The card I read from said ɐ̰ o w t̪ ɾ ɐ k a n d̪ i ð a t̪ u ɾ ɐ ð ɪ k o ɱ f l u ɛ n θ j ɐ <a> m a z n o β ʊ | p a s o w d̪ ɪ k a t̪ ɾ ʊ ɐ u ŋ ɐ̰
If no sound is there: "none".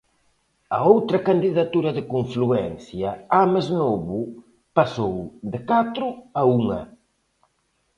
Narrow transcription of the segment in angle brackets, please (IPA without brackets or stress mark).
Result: a